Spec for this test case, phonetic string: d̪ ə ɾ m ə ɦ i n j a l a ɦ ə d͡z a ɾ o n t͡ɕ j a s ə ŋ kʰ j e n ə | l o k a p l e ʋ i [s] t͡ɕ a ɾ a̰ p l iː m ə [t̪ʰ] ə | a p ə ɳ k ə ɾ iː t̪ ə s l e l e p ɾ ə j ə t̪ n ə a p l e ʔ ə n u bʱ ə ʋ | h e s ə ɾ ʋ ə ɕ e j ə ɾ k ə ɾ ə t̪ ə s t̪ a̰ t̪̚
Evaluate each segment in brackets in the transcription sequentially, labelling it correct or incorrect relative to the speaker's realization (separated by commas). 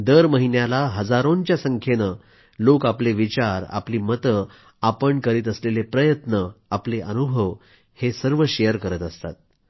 incorrect, incorrect